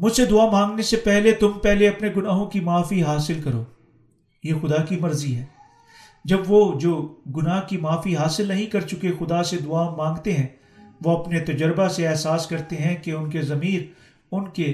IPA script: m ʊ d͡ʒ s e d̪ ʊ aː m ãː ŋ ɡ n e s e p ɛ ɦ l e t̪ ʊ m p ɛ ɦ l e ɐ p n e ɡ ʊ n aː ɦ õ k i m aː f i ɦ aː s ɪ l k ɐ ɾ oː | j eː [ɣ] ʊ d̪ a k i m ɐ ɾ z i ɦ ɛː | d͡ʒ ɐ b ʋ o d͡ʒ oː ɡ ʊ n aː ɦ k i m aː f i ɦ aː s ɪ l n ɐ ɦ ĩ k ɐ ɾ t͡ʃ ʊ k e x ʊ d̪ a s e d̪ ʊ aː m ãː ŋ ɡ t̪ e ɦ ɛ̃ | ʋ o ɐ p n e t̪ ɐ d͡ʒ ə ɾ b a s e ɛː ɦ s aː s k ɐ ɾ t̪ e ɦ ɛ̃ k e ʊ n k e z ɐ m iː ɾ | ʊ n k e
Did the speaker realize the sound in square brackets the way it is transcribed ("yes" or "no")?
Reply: no